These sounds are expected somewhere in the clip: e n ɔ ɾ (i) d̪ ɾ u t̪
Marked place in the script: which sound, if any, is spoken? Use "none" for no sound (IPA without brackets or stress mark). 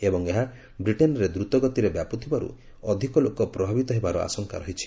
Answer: e